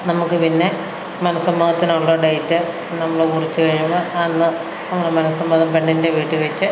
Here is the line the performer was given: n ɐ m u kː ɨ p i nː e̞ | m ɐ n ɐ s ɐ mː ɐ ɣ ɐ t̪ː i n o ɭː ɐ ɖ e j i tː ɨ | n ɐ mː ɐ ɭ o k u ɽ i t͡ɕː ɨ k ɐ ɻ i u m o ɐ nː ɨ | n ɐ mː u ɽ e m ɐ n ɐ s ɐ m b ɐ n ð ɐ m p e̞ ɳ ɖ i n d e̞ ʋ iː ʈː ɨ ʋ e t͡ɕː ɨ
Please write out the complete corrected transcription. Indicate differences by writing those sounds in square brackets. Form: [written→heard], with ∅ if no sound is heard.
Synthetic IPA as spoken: n ɐ m u kː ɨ p i nː e̞ | m ɐ n ɐ s ɐ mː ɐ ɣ ɐ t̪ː i n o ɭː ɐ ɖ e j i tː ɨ | n ɐ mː ɐ ɭ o k u [ɽ→r] i t͡ɕː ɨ k ɐ ɻ i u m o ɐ nː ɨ | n ɐ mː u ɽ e m ɐ n ɐ s ɐ m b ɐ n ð ɐ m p e̞ ɳ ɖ i n d e̞ ʋ iː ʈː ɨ ʋ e t͡ɕː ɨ